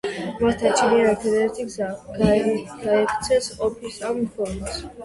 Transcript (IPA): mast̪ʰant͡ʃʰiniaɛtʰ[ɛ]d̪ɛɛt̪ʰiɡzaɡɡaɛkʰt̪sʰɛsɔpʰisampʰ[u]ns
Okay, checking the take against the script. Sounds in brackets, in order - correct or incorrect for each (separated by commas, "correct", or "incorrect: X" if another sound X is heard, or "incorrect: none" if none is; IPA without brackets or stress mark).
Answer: correct, incorrect: ɔ